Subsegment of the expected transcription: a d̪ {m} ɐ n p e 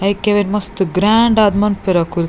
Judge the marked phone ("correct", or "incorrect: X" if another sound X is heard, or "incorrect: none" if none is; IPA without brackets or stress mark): correct